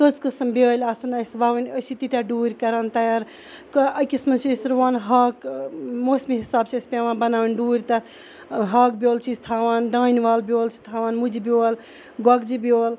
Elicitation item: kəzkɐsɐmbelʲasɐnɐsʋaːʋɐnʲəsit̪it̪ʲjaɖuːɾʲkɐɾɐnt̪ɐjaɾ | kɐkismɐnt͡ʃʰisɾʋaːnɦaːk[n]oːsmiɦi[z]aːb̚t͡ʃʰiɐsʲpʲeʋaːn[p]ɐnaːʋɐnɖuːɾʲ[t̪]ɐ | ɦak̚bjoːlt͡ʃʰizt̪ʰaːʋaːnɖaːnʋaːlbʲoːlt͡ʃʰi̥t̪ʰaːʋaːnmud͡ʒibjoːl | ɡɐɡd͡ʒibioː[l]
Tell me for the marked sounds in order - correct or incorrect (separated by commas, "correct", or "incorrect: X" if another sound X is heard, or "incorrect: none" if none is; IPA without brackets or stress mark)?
incorrect: m, incorrect: s, incorrect: b, correct, correct